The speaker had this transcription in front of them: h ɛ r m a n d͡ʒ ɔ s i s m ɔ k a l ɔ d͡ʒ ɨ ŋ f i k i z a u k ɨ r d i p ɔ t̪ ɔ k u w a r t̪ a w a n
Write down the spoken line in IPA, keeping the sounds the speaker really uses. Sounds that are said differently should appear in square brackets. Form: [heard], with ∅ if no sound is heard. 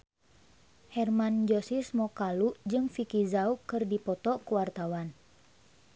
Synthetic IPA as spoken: h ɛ r m a n d͡ʒ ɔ s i s m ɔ k a l [u] d͡ʒ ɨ ŋ f i k i z a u k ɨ r d i p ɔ t̪ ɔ k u w a r t̪ a w a n